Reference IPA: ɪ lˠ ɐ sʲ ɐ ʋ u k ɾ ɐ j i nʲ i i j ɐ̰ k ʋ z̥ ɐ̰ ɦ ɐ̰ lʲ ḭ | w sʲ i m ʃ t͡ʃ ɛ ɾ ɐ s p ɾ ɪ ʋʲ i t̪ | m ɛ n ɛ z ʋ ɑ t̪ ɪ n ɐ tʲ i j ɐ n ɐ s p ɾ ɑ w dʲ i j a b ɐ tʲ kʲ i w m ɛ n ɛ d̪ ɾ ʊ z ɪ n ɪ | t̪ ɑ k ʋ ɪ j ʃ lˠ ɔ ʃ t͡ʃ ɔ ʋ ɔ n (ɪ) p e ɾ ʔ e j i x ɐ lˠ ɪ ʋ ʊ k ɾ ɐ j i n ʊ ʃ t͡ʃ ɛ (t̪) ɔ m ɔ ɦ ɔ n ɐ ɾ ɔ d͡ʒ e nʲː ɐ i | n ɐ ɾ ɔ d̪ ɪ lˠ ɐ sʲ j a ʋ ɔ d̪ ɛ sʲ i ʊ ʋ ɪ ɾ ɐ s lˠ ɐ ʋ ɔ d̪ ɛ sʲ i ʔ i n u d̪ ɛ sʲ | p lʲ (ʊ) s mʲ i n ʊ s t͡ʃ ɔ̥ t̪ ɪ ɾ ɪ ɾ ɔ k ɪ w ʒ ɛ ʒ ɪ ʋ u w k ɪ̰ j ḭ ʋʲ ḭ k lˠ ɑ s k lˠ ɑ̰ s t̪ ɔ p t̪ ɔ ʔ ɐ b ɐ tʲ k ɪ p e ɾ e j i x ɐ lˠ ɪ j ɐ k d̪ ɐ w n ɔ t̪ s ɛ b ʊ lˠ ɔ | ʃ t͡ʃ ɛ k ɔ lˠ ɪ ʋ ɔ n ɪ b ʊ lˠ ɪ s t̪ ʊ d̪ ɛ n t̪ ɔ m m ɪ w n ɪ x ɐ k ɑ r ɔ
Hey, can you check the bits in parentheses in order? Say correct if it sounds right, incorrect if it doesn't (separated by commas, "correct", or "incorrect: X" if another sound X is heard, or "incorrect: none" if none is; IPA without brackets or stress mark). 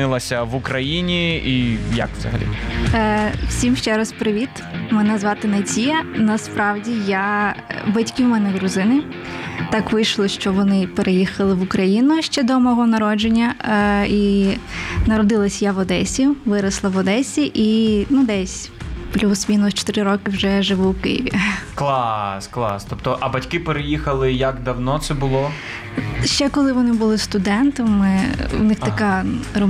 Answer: correct, incorrect: d̪, incorrect: u